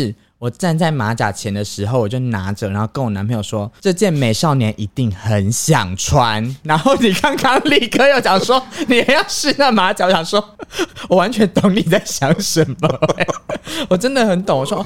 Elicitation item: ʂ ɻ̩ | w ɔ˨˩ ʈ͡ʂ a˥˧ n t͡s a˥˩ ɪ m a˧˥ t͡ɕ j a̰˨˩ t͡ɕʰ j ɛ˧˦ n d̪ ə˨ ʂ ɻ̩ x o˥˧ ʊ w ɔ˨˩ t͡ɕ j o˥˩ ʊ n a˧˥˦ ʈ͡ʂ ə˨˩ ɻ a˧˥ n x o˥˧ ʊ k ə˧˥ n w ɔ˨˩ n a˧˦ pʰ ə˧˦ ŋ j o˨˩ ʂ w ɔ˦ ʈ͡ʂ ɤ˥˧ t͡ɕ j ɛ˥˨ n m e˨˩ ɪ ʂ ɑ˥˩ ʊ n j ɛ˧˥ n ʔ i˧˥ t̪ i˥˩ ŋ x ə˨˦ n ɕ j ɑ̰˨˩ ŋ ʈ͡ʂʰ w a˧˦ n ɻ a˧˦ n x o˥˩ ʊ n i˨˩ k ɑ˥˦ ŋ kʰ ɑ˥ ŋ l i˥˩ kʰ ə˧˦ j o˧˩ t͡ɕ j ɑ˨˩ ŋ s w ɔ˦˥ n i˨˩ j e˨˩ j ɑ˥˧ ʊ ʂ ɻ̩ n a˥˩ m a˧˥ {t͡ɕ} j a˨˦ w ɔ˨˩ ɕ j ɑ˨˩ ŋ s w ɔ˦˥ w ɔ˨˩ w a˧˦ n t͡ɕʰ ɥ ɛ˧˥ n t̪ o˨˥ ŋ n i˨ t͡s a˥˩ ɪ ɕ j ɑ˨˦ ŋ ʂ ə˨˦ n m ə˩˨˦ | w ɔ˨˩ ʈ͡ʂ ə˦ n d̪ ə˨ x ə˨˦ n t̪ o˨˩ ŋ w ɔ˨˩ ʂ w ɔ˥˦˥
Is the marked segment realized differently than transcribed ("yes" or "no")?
no